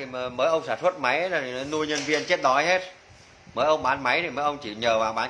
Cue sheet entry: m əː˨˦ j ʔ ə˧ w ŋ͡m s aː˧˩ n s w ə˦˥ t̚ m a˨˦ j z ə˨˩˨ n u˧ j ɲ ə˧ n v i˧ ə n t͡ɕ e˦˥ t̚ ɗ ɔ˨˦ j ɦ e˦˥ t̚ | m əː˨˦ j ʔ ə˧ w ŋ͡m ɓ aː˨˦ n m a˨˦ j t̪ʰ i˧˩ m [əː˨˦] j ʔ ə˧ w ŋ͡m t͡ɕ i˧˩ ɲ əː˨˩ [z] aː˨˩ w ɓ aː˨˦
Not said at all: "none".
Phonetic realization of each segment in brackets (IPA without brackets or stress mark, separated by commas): əː˨˦, v